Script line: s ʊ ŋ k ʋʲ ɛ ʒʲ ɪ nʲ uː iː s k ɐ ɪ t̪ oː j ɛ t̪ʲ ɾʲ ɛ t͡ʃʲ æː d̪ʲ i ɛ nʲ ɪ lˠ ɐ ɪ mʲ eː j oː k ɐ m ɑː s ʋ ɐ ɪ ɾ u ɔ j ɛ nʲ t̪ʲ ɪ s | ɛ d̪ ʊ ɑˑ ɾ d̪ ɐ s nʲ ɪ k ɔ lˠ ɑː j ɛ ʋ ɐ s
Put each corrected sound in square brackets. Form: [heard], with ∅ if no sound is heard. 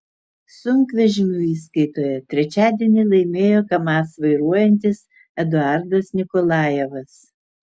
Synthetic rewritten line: s ʊ ŋ k ʋʲ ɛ ʒʲ ɪ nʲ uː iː s k ɐ ɪ t̪ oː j ɛ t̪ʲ ɾʲ ɛ t͡ʃʲ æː d̪ʲ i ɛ nʲ ɪ lˠ ɐ ɪ mʲ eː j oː k ɐ m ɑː s ʋ ɐ ɪ ɾ u ɔ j ɛ nʲ t̪ʲ ɪ s | ɛ d̪ ʊ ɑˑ ɾ d̪ ɐ s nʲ ɪ k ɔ lˠ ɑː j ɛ ʋ ɐ s